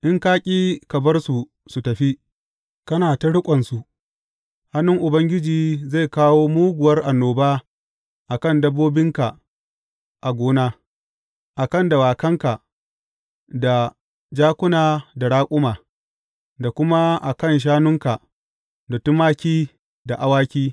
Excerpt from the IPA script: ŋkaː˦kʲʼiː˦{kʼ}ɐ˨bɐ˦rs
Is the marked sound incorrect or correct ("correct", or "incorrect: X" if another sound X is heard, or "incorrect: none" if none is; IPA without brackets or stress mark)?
incorrect: k